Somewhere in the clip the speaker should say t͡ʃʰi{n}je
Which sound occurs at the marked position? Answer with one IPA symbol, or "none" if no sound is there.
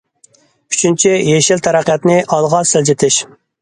none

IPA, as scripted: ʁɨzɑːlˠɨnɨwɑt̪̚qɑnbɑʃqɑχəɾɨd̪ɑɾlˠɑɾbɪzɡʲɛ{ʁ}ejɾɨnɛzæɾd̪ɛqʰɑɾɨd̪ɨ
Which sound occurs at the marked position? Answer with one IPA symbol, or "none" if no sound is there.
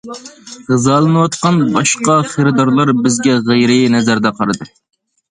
ʁ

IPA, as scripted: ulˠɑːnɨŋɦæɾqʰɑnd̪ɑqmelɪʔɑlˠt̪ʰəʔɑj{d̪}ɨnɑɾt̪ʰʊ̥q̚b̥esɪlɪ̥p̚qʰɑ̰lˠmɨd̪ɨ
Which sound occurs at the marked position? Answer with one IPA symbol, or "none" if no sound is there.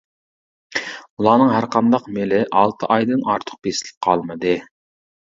d̪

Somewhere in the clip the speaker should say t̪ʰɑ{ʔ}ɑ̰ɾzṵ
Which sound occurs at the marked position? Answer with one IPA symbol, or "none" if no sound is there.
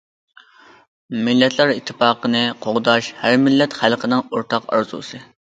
q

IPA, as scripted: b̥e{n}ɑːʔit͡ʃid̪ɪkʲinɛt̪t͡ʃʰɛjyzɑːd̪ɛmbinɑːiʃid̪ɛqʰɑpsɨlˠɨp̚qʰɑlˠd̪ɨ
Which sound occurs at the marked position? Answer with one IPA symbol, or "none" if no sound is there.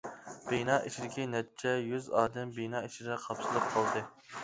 n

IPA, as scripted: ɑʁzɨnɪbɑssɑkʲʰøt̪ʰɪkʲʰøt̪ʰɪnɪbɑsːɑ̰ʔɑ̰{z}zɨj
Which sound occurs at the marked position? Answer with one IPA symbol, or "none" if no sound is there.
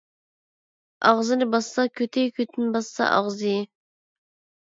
ʁ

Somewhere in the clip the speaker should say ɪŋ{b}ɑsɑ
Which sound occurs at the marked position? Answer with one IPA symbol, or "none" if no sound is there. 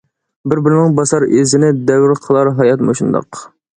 b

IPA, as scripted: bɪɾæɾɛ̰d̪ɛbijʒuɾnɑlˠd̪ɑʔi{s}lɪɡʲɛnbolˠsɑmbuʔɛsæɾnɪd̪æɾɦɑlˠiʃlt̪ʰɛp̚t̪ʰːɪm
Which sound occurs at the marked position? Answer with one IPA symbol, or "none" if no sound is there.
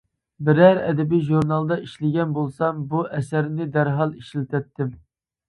ʃ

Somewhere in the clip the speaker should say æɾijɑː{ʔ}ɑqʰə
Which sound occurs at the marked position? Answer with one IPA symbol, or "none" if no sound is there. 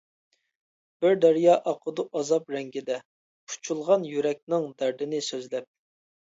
ʔ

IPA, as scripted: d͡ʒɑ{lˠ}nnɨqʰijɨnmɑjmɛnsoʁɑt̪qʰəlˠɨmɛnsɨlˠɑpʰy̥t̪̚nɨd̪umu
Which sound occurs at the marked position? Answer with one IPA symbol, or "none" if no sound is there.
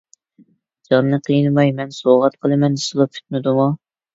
none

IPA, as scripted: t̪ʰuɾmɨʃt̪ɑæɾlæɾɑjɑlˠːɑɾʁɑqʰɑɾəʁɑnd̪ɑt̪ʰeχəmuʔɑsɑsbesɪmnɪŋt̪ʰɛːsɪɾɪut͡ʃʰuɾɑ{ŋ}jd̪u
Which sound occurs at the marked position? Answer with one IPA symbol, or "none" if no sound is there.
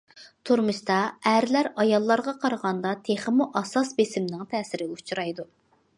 none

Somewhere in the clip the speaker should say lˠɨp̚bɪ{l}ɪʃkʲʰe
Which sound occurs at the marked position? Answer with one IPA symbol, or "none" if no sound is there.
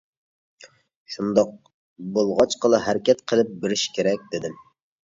ɾ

